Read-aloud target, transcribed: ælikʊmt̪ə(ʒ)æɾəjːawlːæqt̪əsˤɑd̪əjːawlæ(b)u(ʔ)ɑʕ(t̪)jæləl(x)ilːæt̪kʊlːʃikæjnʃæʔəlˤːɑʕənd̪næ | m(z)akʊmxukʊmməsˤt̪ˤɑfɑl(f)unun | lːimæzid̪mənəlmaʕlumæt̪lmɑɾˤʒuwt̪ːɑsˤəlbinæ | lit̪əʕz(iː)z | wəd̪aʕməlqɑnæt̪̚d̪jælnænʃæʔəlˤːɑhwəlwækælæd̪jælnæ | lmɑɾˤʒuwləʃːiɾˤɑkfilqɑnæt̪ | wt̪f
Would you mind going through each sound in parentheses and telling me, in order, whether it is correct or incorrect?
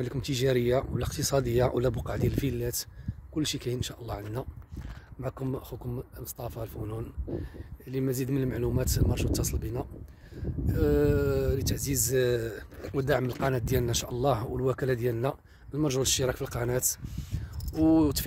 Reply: correct, correct, incorrect: q, incorrect: d̪, incorrect: f, incorrect: ʕ, correct, incorrect: i

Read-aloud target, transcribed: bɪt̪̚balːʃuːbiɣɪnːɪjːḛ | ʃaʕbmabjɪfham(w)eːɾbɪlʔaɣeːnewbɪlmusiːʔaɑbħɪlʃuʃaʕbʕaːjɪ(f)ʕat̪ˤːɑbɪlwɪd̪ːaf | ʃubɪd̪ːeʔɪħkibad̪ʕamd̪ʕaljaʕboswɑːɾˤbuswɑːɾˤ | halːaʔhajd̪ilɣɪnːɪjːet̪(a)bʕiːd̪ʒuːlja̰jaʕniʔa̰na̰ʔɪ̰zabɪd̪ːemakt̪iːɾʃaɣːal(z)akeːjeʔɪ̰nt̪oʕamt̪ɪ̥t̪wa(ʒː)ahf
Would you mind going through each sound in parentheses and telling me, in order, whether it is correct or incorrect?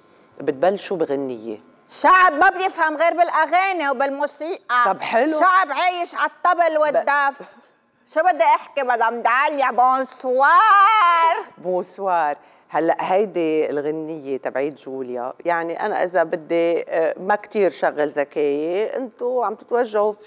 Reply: incorrect: ɣ, incorrect: ʃ, correct, correct, correct

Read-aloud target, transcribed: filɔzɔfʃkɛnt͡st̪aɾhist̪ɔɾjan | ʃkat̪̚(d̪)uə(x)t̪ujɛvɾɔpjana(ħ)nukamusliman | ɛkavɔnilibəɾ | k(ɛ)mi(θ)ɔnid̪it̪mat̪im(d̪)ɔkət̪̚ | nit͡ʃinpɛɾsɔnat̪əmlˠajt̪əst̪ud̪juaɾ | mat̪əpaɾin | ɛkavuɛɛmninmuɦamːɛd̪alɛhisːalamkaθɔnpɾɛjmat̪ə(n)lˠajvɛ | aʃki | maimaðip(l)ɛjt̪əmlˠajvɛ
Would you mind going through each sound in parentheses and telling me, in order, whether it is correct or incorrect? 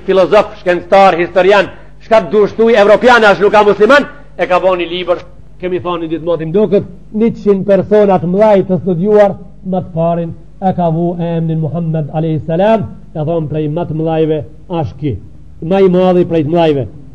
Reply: correct, incorrect: ʃ, incorrect: ʃ, correct, correct, correct, incorrect: m, incorrect: ɾ

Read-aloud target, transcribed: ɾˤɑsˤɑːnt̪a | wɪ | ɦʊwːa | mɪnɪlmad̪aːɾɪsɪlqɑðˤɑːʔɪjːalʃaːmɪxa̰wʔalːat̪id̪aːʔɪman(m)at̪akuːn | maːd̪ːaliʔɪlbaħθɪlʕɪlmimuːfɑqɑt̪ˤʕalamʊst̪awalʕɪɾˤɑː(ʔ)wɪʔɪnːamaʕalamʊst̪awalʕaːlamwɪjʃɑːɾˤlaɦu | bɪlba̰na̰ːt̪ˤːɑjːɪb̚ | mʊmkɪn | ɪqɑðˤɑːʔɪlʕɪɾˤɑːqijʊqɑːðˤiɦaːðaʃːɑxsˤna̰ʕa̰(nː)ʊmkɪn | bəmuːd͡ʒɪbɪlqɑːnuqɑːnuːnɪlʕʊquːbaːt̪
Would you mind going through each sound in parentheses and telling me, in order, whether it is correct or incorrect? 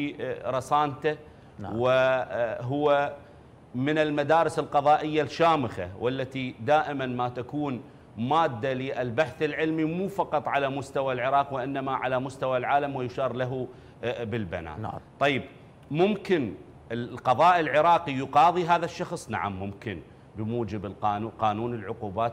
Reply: correct, incorrect: q, incorrect: mː

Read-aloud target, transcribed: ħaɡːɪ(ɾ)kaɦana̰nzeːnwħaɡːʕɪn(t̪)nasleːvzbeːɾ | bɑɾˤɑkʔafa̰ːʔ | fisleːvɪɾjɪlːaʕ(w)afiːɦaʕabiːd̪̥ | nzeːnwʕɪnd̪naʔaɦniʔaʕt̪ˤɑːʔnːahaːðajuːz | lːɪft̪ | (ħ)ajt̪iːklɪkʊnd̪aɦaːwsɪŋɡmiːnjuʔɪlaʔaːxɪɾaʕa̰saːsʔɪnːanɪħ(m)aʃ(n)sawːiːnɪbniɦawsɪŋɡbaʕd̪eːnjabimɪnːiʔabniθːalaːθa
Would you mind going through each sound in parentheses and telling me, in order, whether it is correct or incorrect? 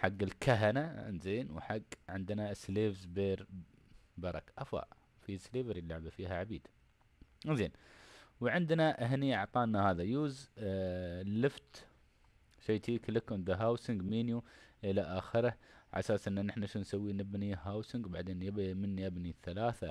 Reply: incorrect: l, incorrect: d̪, incorrect: b, incorrect: ʃ, incorrect: n, correct

